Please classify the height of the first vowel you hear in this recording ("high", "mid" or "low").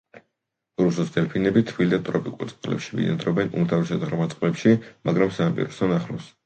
high